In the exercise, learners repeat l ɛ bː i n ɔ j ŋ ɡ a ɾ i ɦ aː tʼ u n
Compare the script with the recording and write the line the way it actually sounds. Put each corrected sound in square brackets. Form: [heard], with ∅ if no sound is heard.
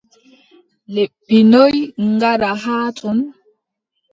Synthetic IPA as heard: l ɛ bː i n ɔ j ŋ ɡ a ɾ [a] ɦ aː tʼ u n